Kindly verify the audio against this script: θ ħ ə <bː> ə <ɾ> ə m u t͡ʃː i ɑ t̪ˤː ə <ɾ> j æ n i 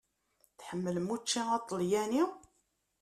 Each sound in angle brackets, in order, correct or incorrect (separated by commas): incorrect, incorrect, incorrect